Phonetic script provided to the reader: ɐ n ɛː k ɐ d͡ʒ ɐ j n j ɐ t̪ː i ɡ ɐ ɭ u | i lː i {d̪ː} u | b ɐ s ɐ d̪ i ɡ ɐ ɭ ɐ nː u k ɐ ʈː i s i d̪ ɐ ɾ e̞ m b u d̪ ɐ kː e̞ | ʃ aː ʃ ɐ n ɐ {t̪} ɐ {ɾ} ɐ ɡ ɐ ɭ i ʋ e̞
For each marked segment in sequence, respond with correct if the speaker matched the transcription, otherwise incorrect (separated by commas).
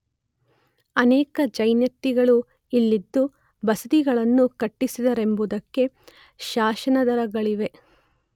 correct, incorrect, correct